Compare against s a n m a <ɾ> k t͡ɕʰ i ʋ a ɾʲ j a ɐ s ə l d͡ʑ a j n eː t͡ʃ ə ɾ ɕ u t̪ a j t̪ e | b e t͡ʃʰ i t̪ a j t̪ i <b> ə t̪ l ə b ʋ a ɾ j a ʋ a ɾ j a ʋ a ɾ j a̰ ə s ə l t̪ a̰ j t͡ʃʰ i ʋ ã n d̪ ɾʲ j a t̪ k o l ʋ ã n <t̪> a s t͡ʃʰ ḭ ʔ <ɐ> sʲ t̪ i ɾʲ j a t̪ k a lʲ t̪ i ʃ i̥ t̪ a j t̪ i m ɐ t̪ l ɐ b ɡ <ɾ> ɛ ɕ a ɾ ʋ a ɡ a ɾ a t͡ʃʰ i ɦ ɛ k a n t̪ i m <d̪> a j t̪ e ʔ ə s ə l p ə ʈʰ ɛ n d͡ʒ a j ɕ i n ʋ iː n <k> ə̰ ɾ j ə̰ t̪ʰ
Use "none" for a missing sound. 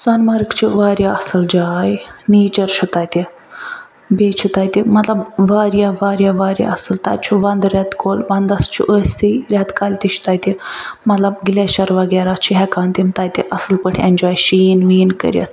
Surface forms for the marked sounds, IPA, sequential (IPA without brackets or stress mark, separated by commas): ɾ, m, d̪, ə, l, t̪, k